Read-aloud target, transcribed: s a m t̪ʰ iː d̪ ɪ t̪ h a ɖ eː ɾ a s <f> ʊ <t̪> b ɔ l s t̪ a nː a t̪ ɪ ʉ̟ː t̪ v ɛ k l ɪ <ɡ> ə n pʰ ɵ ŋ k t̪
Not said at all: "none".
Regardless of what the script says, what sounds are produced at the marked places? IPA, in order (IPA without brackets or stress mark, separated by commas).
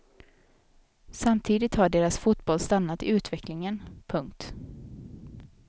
f, t̪, ŋ